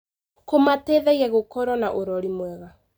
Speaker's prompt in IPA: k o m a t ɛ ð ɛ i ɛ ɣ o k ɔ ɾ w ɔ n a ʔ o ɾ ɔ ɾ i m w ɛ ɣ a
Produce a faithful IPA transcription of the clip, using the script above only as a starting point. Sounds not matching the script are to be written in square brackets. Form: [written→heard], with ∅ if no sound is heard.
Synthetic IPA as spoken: k o m a t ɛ ð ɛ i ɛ ɣ o k ɔ ɾ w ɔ n a ʔ o ɾ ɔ ɾ i m w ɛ ɣ a